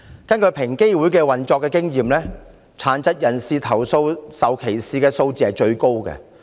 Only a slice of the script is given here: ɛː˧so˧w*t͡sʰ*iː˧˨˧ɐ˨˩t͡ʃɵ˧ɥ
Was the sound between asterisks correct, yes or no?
no